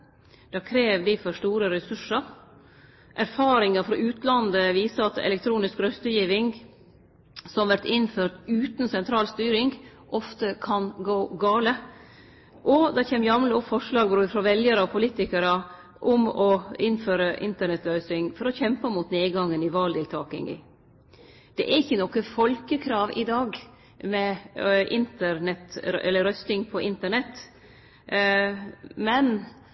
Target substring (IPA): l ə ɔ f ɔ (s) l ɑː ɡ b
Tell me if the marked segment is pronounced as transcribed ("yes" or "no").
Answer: no